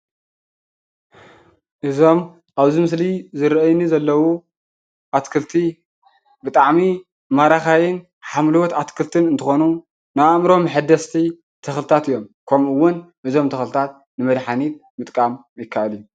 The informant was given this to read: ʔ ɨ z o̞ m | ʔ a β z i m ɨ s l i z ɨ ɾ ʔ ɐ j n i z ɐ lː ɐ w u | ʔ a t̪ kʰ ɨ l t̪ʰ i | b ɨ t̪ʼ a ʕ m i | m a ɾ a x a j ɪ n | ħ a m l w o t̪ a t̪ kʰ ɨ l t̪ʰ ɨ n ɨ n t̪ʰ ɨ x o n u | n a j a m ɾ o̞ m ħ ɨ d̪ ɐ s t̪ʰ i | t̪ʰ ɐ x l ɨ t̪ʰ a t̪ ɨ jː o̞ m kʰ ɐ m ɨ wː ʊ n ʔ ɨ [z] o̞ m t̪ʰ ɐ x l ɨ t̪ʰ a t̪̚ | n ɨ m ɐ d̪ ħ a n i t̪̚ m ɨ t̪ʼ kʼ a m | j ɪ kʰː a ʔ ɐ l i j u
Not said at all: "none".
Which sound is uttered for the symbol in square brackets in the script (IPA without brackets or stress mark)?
z